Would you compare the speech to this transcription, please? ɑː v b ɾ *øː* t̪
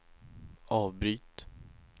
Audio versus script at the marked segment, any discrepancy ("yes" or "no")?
yes